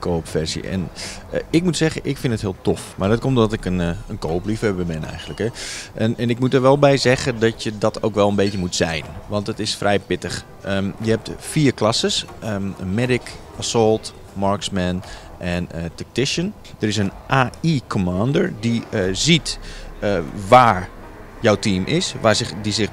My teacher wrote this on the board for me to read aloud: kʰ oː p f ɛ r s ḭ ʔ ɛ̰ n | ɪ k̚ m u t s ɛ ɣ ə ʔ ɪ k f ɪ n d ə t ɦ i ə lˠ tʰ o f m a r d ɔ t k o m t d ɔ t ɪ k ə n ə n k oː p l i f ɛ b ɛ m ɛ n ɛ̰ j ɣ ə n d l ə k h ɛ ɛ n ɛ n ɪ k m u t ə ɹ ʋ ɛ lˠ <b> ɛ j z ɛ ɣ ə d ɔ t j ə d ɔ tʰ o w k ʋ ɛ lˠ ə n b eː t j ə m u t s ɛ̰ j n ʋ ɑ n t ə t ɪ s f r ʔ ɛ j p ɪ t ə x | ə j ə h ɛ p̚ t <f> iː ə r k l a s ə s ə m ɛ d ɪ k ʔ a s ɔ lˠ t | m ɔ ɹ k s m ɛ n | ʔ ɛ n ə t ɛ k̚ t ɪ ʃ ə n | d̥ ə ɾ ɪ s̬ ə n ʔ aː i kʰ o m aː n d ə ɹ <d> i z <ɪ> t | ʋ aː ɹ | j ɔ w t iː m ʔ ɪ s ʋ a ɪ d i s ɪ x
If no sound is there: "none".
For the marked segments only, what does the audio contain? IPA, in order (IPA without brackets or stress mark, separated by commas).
b, f, d, i